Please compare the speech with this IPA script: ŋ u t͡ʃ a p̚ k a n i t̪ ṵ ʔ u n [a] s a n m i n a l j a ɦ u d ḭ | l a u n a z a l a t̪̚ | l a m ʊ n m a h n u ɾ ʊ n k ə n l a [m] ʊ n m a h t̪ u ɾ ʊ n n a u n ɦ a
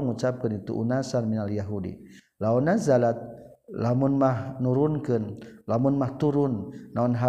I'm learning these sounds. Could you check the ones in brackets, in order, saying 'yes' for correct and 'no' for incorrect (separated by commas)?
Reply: yes, yes